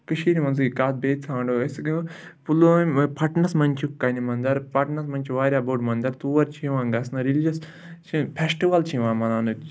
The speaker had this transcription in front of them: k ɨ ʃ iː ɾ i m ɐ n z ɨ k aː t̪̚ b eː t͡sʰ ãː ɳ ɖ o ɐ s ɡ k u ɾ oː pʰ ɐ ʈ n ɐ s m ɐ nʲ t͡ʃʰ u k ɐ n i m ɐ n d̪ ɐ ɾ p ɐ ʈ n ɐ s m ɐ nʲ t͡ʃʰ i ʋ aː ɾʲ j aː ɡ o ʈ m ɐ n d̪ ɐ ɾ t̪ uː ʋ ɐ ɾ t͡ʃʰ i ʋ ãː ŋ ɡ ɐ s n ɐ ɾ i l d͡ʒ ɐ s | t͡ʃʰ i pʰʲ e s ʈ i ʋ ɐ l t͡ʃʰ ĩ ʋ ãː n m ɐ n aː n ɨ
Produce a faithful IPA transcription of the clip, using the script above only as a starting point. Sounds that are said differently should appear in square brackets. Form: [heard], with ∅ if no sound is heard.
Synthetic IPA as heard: k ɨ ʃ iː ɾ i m ɐ n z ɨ k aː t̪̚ b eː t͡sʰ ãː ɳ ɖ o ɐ s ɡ [p] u [l] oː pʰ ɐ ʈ n ɐ s m ɐ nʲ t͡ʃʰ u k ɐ n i m ɐ n d̪ ɐ ɾ p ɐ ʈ n ɐ s m ɐ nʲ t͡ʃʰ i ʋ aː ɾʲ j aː [b] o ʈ m ɐ n d̪ ɐ ɾ t̪ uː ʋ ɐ ɾ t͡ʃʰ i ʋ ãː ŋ ɡ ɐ s n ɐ ɾ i l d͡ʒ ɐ s | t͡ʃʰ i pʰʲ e s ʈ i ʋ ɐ l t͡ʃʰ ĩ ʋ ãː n m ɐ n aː n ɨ